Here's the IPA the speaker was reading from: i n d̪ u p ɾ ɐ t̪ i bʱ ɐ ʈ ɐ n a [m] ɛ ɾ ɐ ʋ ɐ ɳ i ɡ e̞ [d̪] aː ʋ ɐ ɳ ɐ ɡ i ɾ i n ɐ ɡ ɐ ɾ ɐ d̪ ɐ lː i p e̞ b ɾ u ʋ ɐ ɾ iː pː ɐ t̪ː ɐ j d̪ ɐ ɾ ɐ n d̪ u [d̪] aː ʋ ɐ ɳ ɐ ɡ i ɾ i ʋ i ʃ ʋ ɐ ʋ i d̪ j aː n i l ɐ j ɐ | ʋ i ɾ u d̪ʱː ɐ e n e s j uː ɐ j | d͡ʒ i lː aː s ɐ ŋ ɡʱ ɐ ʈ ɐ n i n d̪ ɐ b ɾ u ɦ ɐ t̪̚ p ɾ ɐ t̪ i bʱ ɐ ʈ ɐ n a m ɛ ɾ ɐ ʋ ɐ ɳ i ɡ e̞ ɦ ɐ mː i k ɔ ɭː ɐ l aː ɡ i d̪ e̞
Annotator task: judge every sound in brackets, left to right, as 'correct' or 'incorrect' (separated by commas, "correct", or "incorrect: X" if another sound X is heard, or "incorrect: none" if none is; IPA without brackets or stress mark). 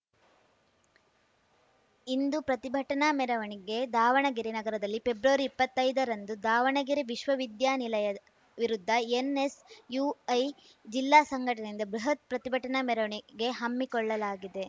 correct, correct, correct